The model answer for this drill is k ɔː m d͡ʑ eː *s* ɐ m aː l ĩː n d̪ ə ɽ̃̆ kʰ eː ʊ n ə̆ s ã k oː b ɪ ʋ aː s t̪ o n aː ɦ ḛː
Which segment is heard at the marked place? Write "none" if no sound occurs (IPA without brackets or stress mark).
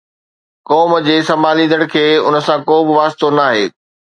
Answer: s